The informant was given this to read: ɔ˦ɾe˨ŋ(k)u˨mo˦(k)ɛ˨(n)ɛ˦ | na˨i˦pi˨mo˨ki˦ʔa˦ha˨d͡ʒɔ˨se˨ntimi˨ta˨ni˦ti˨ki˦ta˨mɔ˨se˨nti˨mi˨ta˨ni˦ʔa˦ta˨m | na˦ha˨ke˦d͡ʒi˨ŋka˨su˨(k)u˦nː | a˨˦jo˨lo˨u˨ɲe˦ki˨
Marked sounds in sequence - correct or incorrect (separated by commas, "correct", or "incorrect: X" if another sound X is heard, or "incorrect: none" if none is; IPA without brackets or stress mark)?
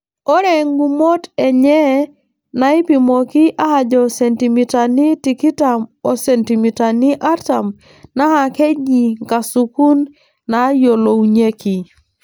incorrect: ɡ, incorrect: t, incorrect: ɲ, correct